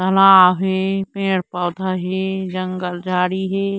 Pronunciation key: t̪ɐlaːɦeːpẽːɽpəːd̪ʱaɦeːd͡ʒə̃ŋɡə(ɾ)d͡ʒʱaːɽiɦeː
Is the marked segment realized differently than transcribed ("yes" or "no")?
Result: yes